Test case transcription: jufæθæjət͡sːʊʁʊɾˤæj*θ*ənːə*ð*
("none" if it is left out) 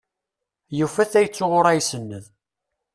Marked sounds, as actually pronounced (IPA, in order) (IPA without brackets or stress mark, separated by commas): s, ð